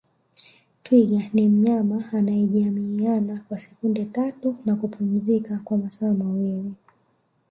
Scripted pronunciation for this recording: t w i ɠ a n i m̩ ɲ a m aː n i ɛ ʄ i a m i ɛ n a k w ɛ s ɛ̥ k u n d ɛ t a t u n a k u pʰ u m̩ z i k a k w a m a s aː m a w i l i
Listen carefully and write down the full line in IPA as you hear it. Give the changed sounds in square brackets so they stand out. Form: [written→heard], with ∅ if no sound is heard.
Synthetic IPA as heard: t w i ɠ a n i m̩ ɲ a m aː n [i→a] ɛ ʄ i a m i [ɛ→a] n a k w [ɛ→a] s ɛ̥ k u n d ɛ t a t u n a k u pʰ u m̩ z i k a k w a m a s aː m a w i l i